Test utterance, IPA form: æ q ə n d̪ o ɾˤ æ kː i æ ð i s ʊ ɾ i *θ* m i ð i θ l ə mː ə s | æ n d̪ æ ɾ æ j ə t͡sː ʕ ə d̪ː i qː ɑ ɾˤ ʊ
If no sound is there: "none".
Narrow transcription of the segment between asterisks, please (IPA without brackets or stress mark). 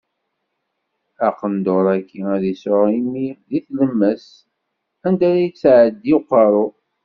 none